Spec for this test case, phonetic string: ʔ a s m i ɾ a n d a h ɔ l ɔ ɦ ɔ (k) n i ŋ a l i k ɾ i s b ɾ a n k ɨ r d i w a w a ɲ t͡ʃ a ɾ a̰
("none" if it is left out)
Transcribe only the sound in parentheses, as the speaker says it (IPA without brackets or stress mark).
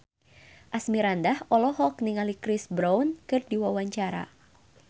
k